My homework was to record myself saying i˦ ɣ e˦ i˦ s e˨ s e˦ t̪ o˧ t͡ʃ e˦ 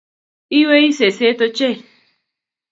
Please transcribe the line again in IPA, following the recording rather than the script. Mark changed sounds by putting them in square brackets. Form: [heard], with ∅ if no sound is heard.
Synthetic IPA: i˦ [w] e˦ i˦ s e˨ s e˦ t̪ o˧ t͡ʃ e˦

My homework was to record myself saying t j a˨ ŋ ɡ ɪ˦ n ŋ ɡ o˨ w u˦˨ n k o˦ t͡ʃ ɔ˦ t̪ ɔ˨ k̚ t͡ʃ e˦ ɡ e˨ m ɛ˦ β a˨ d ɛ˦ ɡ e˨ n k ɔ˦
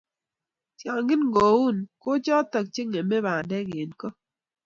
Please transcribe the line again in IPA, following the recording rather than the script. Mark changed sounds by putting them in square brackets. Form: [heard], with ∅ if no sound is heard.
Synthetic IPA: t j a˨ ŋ ɡ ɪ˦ n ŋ ɡ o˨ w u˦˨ n k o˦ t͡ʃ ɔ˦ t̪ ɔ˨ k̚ t͡ʃ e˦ [ŋ] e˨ m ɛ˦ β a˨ d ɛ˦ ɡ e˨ n k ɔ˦

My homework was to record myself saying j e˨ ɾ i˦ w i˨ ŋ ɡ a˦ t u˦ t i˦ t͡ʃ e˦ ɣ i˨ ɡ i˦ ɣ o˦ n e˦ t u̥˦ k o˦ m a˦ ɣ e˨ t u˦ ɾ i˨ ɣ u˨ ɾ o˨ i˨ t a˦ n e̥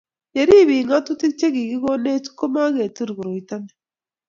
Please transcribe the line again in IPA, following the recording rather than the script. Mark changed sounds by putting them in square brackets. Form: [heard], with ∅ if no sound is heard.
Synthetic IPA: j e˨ ɾ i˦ [β] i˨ ŋ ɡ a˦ t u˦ t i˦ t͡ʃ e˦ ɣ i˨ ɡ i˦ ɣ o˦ n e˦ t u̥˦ k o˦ m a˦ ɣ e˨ t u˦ ɾ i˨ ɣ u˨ ɾ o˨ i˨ t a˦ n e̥

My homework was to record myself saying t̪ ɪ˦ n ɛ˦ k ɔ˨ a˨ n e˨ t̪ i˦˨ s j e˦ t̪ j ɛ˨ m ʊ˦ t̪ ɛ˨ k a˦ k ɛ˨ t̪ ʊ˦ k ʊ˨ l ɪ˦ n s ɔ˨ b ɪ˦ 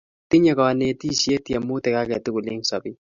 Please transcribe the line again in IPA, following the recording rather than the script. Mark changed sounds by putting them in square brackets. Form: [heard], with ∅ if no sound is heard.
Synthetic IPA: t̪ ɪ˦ [ɲ] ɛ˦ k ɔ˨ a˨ n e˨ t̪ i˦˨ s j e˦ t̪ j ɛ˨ m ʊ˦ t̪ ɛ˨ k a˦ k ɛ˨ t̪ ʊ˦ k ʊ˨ l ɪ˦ [ŋ] s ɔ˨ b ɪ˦

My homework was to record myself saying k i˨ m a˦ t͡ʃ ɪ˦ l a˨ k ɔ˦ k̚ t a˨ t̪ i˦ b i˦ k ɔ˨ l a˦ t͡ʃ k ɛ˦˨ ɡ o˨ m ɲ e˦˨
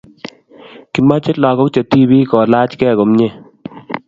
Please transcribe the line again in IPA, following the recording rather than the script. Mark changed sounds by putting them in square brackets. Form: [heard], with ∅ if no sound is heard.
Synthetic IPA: k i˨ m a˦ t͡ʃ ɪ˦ l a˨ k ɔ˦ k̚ [t͡ʃ] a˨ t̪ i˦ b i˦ k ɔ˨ l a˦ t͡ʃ k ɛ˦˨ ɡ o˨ m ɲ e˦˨

